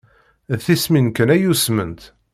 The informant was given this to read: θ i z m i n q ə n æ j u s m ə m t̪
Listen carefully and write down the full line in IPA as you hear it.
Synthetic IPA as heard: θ i s m i n k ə n æ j u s m ə n t̪